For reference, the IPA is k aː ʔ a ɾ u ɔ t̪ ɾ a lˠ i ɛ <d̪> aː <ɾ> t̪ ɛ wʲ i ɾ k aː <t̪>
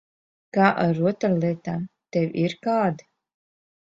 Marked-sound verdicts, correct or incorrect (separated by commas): incorrect, incorrect, incorrect